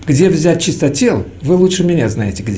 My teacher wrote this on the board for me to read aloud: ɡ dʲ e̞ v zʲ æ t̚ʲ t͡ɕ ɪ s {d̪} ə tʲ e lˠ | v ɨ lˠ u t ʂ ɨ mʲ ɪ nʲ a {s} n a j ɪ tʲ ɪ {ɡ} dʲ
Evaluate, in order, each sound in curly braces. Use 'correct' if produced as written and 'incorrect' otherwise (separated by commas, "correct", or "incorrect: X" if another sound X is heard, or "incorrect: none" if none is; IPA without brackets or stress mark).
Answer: incorrect: t̪, incorrect: z, correct